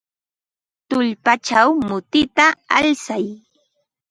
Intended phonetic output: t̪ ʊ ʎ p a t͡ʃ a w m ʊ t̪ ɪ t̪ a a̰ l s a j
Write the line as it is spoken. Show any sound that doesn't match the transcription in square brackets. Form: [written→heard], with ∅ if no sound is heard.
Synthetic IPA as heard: t̪ ʊ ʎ p a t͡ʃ a w m ʊ t̪ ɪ t̪ a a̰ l s a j